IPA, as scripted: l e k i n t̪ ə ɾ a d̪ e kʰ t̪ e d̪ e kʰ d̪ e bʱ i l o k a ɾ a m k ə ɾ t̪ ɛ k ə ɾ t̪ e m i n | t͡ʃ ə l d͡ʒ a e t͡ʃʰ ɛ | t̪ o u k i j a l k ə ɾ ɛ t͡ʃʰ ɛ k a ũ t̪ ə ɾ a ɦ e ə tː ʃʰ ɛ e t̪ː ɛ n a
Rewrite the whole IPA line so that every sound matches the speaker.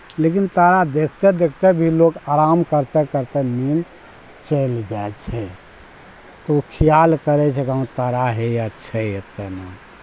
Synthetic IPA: l e k i n t̪ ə ɾ a d̪ e kʰ t̪ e d̪ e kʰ t̪ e bʱ i l o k a ɾ a m k ə ɾ t̪ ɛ k ə ɾ t̪ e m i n | t͡ʃ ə l d͡ʒ a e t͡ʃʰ ɛ | t̪ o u kʰ i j a l k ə ɾ ɛ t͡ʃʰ ɛ k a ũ t̪ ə ɾ a ɦ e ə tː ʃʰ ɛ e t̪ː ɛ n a